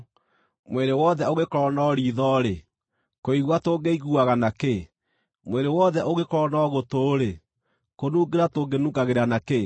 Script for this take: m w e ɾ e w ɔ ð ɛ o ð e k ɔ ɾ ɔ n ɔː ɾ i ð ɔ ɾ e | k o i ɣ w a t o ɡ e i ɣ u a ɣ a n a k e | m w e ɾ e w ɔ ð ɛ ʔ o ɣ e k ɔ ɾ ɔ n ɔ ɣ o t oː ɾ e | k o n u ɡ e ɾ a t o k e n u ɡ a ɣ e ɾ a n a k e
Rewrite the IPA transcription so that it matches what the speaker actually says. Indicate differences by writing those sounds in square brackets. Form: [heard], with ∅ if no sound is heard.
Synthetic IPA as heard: m w e ɾ e w ɔ ð ɛ o [ɣ] e k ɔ ɾ ɔ n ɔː ɾ i ð ɔ ɾ e | k o i ɣ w a t o ɡ e i ɣ u a ɣ a n a k e | m w e ɾ e w ɔ ð ɛ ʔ o ɣ e k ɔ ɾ ɔ n ɔ ɣ o t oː ɾ e | k o n u ɡ e ɾ a t o [ɡ] e n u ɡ a ɣ e ɾ a n a k e

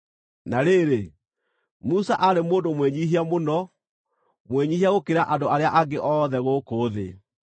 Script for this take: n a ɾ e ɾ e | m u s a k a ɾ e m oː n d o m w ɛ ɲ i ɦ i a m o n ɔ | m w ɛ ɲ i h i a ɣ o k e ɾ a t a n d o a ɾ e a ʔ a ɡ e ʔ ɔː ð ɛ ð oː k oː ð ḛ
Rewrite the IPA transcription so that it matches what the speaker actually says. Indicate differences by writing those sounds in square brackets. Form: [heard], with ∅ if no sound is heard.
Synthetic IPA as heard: n a ɾ e ɾ e | m u s a [ʔ] a ɾ e m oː n d o m w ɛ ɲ i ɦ i a m o n ɔ | m w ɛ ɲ i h i a ɣ o k e ɾ a [ʔ] a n d o a ɾ e a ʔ a ɡ e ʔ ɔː ð ɛ [ɣ] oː k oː ð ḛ

